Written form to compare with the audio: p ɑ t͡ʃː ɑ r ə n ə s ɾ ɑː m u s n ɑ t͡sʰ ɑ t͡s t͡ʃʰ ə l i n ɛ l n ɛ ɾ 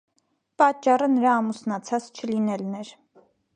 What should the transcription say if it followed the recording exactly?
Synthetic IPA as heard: p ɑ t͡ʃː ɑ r ə n ə ɾ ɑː m u s n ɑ t͡sʰ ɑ t͡s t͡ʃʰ ə l i n ɛ l n ɛ ɾ